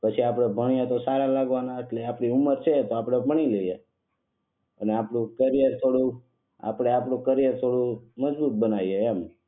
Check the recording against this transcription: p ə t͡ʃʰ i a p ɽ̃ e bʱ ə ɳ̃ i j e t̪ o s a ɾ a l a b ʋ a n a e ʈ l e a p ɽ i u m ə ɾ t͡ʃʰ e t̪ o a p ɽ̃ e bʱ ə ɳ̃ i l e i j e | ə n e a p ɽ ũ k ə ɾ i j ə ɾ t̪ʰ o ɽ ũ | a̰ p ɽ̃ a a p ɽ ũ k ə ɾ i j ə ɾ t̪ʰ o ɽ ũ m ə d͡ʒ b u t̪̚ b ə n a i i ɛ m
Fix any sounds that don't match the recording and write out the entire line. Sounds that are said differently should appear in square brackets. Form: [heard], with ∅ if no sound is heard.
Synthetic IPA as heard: p ə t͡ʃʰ i a p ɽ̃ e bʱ ə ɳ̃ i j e t̪ o s a ɾ a l a [ɡ] ʋ a n a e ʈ l e a p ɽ i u m ə ɾ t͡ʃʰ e t̪ o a p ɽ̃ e bʱ ə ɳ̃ i l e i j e | ə n e a p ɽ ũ k ə ɾ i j ə ɾ t̪ʰ o ɽ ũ | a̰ p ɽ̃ [e] a p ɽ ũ k ə ɾ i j ə ɾ t̪ʰ o ɽ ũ m ə d͡ʒ b u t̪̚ b ə n a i [e] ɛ m